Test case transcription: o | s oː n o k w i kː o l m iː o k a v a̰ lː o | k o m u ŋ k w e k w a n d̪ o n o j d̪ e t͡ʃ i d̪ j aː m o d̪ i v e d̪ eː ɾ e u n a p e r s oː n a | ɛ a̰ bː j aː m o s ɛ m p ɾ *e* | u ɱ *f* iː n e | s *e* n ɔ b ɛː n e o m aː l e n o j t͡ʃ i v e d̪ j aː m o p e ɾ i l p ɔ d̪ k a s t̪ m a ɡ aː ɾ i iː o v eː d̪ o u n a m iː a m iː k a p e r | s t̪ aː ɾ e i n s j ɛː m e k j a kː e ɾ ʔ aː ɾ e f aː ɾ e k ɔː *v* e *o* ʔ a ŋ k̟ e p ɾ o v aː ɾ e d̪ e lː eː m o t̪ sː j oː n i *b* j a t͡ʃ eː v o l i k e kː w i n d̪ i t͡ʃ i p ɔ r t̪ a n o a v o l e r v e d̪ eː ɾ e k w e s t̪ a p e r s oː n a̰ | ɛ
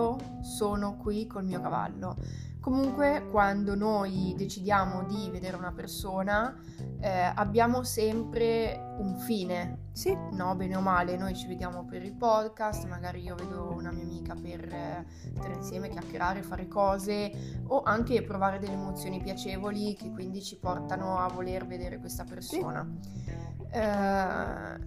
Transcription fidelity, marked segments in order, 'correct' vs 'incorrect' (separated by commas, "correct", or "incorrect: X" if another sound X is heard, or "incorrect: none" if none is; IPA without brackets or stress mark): correct, correct, incorrect: i, incorrect: z, correct, incorrect: p